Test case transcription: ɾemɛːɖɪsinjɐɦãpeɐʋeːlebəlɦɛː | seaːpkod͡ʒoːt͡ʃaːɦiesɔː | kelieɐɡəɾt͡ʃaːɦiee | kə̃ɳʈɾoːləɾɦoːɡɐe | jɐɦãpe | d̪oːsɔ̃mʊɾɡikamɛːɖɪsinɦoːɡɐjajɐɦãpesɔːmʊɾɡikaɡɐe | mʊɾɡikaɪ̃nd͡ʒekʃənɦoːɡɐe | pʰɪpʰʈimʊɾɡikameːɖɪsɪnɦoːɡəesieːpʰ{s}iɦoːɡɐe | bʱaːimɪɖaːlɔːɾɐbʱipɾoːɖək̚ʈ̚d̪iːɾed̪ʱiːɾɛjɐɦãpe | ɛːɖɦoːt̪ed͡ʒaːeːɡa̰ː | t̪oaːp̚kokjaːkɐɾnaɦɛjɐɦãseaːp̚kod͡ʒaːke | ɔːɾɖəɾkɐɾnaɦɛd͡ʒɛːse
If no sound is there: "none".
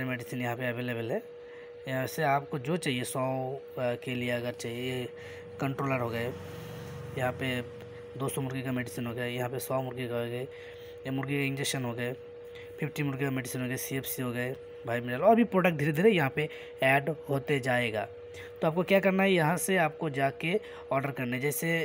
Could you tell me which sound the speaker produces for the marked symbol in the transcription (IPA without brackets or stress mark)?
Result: s